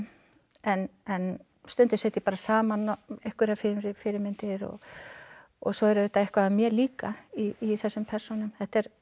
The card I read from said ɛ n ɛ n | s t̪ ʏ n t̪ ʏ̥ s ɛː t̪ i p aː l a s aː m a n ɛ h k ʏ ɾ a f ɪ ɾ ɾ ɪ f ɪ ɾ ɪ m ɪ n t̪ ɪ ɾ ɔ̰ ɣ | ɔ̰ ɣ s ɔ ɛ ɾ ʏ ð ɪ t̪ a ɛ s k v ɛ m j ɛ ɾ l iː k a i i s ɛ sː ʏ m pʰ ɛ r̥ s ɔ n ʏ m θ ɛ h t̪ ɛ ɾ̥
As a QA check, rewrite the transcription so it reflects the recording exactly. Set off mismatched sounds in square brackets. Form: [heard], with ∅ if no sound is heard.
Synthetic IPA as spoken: ɛ n ɛ n | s t̪ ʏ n t̪ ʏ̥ s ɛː t̪ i p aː [ɾ] a s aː m a n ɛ h k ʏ ɾ a f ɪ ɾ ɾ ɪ f ɪ ɾ ɪ m ɪ n t̪ ɪ ɾ ɔ̰ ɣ | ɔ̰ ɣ s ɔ ɛ ɾ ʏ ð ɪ t̪ a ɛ [h] k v [a] m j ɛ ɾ l iː k a i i [θ] ɛ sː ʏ m pʰ ɛ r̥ s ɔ n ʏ m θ ɛ h t̪ ɛ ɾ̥